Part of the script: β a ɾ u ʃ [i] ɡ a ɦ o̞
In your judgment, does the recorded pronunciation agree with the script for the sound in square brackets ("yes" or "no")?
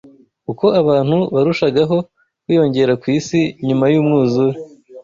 no